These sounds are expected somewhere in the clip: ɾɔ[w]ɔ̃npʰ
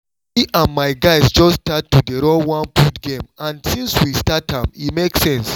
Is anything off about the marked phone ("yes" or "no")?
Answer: no